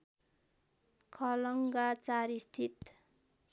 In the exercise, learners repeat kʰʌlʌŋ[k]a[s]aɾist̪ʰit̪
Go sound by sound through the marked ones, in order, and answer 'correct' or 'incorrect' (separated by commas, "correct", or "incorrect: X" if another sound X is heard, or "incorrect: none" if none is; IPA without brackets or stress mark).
incorrect: ɡ, incorrect: t͡s